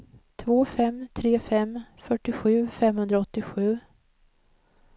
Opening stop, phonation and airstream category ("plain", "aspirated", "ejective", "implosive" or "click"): aspirated